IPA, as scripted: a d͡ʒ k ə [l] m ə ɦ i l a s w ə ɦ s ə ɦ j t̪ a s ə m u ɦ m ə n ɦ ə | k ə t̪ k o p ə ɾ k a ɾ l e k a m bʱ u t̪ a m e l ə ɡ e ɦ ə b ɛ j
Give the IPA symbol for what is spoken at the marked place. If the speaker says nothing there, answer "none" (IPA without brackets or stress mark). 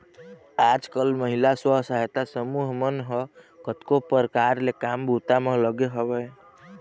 l